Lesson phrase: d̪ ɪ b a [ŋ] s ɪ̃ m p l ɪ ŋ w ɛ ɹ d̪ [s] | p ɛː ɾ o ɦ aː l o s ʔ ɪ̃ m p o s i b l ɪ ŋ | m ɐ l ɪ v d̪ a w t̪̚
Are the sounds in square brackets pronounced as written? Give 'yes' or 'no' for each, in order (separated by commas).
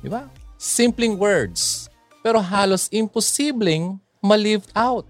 no, yes